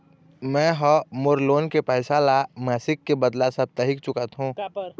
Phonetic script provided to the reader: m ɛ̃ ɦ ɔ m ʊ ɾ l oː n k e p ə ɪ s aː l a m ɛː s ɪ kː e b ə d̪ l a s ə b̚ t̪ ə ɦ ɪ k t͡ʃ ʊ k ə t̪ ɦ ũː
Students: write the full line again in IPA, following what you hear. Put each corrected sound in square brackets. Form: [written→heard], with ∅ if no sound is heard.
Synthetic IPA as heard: m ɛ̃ ɦ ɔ m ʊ ɾ l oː n k e p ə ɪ s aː l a m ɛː s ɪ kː e b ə d̪ l a s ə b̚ t̪ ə ɦ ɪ k t͡ʃ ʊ k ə t̪ ɦ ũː